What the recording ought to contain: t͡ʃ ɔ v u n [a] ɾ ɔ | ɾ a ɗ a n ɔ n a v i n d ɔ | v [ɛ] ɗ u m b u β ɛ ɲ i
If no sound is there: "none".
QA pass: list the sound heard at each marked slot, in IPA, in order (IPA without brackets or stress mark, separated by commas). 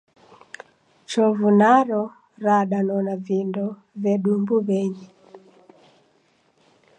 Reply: a, ɛ